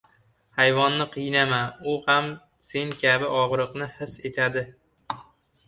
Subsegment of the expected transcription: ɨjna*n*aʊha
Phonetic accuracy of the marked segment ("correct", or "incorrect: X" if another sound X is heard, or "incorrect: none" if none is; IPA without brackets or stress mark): incorrect: m